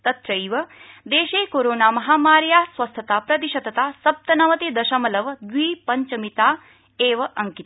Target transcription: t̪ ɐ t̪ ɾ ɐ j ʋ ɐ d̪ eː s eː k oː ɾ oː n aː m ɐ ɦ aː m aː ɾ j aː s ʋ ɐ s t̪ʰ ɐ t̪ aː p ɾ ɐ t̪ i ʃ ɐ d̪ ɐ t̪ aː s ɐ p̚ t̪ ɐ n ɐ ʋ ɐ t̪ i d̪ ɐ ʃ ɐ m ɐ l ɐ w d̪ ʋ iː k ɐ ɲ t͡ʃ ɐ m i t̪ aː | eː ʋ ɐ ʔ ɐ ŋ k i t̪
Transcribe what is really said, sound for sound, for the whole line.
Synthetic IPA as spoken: t̪ ɐ t̪ ɾ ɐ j ʋ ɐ d̪ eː ʃ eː k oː ɾ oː n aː m ɐ ɦ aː m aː ɾ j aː s ʋ ɐ s t̪ʰ ɐ t̪ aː p ɾ ɐ t̪ i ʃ ɐ d̪ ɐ t̪ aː s ɐ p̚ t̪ ɐ n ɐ ʋ ɐ t̪ i d̪ ɐ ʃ ɐ m ɐ l ɐ ʋ d̪ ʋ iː p ɐ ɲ t͡ʃ ɐ m i t̪ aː | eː ʋ ɐ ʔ ɐ ŋ k i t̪